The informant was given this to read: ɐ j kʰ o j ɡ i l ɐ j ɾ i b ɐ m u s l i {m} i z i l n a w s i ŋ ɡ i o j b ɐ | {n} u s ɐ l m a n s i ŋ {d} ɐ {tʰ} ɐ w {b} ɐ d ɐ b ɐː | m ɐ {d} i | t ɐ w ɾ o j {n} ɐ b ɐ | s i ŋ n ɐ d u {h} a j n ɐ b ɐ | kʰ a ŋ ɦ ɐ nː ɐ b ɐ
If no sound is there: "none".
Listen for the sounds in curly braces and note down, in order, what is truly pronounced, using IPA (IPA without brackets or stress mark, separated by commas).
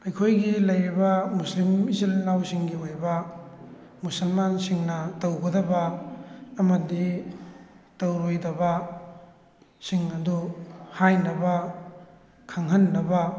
m, m, n, t, ɡ, d, d, h